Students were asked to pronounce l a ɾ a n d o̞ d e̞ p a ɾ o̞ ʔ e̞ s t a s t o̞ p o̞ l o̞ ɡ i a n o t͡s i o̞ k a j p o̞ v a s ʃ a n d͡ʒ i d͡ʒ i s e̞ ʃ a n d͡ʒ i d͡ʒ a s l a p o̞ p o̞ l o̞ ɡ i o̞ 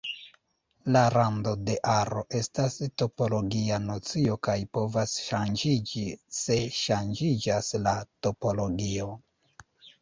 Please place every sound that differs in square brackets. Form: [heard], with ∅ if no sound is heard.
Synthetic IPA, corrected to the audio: l a ɾ a n d o̞ d e̞ [ʔ] a ɾ o̞ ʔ e̞ s t a s t o̞ p o̞ l o̞ ɡ i a n o t͡s i o̞ k a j p o̞ v a s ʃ a n d͡ʒ i d͡ʒ i s e̞ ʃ a n d͡ʒ i d͡ʒ a s l a [t] o̞ p o̞ l o̞ ɡ i o̞